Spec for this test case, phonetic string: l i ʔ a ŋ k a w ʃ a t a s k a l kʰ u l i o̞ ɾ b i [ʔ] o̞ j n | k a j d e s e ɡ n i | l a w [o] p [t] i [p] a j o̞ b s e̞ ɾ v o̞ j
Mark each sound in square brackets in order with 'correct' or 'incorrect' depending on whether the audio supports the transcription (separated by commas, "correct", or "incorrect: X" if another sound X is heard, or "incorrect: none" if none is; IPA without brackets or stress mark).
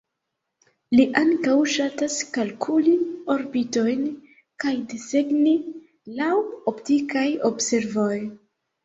incorrect: t, correct, correct, incorrect: k